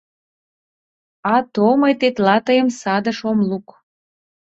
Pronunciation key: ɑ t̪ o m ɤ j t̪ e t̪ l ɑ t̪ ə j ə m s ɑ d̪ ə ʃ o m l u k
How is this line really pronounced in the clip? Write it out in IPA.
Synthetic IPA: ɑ t̪ o m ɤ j t̪ e t̪ l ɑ t̪ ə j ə m s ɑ d̪ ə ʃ o m l u k

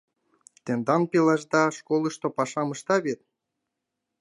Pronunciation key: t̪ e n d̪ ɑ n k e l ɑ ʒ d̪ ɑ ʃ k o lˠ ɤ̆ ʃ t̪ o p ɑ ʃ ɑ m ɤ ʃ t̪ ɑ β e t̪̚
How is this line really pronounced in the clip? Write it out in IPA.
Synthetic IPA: t̪ e n d̪ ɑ n p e l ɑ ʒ d̪ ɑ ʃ k o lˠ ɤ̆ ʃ t̪ o p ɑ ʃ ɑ m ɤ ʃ t̪ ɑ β e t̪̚

